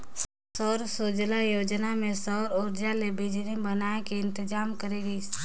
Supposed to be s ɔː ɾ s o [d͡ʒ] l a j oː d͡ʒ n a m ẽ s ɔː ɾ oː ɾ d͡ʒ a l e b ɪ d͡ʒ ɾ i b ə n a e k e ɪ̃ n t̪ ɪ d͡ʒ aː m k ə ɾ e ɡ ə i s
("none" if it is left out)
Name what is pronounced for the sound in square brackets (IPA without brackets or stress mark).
d͡ʒ